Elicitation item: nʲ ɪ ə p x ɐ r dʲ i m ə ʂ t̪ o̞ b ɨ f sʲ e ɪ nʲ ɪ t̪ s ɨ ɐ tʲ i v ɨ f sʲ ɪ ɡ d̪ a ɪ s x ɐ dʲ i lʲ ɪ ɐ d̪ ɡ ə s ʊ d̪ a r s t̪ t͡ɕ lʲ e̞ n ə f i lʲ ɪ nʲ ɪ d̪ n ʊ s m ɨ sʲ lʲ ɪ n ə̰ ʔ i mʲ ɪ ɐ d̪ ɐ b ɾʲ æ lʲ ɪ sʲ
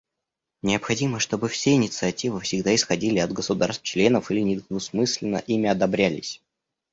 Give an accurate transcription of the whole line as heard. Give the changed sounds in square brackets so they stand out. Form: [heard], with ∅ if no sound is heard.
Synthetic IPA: nʲ ɪ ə p x ɐ [∅] dʲ i m ə ʂ t̪ o̞ b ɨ f sʲ e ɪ nʲ ɪ t̪ s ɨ ɐ tʲ i v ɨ f sʲ ɪ ɡ d̪ a ɪ s x ɐ dʲ i lʲ ɪ ɐ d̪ ɡ ə s ʊ d̪ a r s t̪ t͡ɕ lʲ e̞ n ə f i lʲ ɪ nʲ ɪ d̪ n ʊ s m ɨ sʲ lʲ ɪ n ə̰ ʔ i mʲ ɪ ɐ d̪ ɐ b ɾʲ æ lʲ ɪ sʲ